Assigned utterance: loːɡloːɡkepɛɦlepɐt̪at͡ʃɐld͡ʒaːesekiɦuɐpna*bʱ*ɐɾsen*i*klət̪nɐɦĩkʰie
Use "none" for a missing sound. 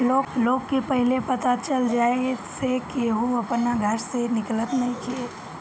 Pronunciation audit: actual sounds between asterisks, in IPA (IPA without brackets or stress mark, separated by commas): ɡʱ, ɪ